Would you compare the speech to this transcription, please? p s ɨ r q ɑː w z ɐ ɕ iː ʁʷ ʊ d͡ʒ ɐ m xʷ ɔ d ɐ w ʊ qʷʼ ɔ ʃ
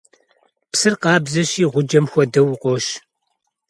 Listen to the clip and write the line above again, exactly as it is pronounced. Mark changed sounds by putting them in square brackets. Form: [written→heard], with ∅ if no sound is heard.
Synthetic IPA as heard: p s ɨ r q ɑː [w→b] z ɐ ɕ iː ʁʷ ʊ d͡ʒ ɐ m xʷ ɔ d ɐ w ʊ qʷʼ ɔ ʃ